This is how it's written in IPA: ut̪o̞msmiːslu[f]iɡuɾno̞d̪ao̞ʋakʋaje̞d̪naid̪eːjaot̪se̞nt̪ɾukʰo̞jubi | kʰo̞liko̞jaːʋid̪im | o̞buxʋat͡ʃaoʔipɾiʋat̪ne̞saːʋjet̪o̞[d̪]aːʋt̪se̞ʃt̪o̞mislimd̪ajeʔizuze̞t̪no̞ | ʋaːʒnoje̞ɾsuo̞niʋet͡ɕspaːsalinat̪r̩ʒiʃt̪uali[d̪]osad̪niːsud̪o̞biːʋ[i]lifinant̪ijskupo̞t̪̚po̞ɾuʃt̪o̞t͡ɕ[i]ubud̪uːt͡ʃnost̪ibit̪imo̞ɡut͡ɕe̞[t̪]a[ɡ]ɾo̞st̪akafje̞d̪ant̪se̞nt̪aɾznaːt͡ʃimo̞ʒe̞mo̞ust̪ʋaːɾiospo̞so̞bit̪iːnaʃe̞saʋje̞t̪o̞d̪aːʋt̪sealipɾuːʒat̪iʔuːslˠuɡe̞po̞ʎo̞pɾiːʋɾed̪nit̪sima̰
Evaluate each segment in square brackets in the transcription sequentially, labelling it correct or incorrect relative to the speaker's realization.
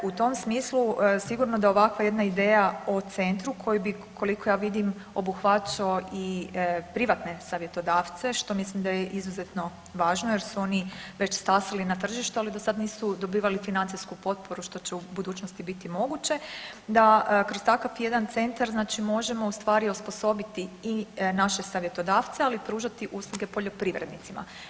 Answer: incorrect: s, correct, correct, incorrect: a, incorrect: e, incorrect: d̪, incorrect: k

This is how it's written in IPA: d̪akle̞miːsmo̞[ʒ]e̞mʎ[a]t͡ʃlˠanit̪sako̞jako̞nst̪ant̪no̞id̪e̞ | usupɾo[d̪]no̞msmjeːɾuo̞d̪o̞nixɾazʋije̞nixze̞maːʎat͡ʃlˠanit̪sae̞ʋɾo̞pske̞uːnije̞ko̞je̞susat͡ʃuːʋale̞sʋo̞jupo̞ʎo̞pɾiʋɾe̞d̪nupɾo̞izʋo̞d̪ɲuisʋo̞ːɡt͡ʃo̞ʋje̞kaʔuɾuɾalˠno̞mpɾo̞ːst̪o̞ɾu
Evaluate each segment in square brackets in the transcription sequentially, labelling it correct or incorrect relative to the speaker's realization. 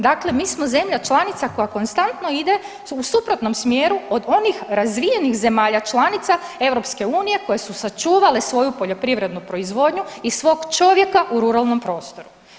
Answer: incorrect: z, correct, incorrect: t̪

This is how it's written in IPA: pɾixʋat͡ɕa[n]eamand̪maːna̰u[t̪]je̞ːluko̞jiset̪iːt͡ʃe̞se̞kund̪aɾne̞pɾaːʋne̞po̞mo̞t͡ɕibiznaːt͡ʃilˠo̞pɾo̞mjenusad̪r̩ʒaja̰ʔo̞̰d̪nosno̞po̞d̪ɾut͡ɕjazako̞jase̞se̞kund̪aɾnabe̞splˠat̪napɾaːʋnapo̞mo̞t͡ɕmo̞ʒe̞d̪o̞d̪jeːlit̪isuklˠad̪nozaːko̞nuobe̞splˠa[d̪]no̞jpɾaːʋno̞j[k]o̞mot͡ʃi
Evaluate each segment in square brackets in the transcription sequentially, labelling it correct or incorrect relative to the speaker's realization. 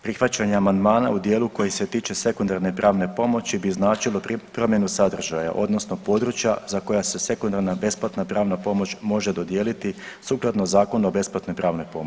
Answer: incorrect: ɲ, incorrect: d̪, incorrect: t̪, incorrect: p

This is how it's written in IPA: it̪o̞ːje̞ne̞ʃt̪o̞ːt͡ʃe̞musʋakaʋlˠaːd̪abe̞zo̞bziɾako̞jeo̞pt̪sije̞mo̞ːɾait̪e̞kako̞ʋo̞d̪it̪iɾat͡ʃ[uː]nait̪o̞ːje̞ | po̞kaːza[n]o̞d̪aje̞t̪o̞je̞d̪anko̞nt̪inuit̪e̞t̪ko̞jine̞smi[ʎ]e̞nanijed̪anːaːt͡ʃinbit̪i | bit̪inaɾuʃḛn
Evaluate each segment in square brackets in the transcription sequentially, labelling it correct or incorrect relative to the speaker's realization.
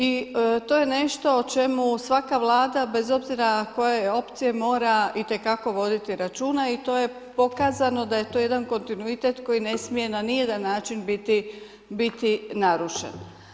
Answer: correct, correct, incorrect: j

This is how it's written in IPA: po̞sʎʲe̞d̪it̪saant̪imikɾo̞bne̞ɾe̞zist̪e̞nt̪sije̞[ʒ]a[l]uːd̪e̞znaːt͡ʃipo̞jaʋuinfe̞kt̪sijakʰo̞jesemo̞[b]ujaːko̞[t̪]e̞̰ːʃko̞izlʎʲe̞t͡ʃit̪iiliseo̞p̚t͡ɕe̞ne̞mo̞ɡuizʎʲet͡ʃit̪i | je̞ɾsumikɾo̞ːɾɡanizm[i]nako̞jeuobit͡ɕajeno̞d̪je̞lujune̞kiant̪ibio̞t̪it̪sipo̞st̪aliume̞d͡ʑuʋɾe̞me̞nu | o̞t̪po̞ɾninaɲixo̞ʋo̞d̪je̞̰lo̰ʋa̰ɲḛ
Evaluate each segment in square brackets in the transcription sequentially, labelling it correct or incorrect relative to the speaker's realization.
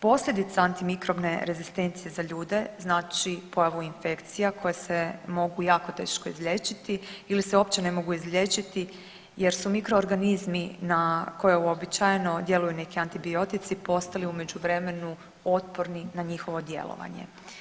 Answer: incorrect: z, incorrect: ʎ, incorrect: ɡ, correct, correct

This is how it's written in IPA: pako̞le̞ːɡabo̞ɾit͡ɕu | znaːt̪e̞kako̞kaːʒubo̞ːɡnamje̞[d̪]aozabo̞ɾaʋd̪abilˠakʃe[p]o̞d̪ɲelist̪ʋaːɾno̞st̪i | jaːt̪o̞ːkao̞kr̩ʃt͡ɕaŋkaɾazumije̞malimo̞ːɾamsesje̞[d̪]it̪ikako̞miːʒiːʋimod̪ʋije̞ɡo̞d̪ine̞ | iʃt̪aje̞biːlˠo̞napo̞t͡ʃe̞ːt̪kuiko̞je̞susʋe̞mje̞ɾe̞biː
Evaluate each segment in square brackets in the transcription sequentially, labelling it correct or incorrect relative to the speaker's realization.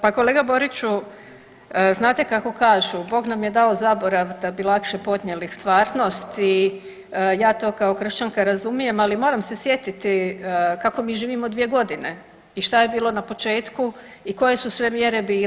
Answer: correct, correct, incorrect: t̪

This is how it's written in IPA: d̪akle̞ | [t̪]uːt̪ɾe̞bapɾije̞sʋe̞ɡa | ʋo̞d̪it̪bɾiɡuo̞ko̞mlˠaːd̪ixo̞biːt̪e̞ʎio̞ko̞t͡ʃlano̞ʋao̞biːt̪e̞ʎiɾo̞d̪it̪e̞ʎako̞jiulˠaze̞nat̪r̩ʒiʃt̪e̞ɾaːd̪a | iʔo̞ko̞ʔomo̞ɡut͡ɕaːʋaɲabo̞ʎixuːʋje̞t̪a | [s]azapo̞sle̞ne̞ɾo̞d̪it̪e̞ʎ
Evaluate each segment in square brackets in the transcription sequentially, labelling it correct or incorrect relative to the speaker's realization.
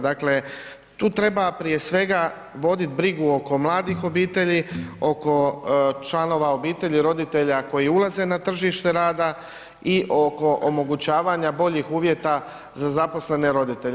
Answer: correct, incorrect: z

